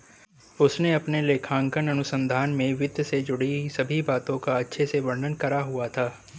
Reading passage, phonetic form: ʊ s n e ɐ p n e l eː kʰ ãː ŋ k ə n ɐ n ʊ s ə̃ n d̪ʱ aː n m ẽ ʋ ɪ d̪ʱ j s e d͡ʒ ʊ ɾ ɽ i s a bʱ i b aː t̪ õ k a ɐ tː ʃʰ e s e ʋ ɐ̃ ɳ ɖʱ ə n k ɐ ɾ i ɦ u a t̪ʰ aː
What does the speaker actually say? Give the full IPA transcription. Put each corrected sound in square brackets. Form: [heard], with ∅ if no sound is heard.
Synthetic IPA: ʊ s n e ɐ p n e l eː kʰ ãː ŋ k ə n ɐ n ʊ s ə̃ n d̪ʱ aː n m ẽ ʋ ɪ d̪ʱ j s e d͡ʒ ʊ [∅] ɽ i s [ɐ] bʱ i b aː t̪ õ k a ɐ tː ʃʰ e s e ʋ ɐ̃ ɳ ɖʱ ə n k ɐ ɾ [a] ɦ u a t̪ʰ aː